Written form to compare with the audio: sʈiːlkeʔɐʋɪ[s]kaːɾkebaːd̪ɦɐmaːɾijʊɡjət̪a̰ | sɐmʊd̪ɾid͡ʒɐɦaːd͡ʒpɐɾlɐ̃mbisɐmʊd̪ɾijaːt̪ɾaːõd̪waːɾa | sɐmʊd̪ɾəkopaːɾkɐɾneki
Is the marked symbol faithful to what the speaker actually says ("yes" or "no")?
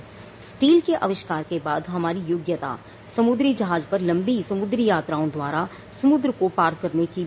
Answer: no